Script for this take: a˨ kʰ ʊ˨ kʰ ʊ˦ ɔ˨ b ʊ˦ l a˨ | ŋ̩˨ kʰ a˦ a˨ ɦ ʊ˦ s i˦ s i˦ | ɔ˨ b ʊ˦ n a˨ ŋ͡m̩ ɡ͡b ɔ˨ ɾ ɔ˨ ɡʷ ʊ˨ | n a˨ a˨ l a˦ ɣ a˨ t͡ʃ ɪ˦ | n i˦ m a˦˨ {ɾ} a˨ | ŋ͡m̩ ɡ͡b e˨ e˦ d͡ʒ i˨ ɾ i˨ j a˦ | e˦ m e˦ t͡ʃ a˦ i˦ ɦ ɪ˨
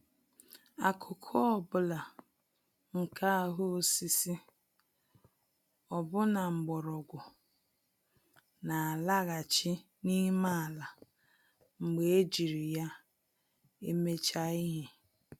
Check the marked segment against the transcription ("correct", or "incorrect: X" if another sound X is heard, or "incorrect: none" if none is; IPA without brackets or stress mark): incorrect: l